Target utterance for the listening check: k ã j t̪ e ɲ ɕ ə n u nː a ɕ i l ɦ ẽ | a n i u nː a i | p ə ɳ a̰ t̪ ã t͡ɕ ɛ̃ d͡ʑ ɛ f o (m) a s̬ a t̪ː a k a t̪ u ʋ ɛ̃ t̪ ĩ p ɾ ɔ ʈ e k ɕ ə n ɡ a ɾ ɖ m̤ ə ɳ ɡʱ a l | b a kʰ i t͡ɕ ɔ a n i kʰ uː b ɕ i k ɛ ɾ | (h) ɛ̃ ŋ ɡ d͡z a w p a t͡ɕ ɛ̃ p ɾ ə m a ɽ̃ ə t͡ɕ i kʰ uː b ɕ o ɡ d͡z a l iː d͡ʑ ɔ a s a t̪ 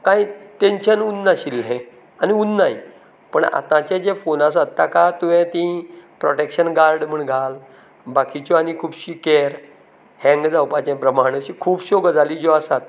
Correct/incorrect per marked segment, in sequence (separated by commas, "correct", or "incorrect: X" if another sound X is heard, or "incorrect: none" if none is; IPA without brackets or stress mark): incorrect: n, correct